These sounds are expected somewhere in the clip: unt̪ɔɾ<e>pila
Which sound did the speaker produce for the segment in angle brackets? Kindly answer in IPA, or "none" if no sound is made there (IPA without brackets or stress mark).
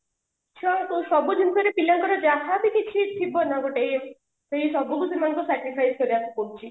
e